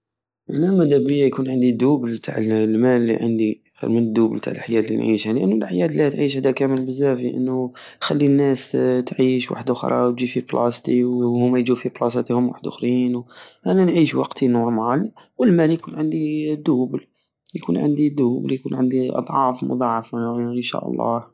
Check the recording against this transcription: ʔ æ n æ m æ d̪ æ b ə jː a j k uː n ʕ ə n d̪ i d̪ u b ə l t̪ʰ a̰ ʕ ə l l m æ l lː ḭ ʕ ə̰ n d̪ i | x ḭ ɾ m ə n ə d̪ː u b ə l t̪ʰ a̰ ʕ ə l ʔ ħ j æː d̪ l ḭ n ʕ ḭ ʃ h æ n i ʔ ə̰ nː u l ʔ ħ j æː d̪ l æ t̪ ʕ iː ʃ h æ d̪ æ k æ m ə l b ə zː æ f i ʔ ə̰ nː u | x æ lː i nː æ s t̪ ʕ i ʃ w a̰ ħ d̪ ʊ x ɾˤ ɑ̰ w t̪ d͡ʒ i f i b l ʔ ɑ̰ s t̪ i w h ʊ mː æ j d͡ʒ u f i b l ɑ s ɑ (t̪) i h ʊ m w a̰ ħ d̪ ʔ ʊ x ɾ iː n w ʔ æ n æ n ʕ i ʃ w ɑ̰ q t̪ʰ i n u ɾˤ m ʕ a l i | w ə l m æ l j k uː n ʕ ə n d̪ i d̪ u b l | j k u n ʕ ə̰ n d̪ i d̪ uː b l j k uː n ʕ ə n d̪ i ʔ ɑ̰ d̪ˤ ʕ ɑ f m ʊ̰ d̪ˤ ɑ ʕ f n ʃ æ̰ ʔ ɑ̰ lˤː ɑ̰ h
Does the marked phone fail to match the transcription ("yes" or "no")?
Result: no